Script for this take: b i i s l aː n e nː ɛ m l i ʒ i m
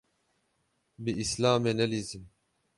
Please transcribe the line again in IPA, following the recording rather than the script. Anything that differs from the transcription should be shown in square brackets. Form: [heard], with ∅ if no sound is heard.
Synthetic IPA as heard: b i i s l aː [m] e [n] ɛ [∅] l i [z] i m